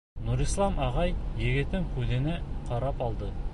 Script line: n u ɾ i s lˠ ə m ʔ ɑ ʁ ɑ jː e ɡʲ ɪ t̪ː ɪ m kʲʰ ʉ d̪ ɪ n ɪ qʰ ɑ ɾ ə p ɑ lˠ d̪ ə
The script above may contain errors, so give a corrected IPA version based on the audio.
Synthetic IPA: n u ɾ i s lˠ ɑ m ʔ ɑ ʁ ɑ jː e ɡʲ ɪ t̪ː ɪ ŋ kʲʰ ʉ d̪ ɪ n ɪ qʰ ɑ ɾ ɑ p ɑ lˠ d̪ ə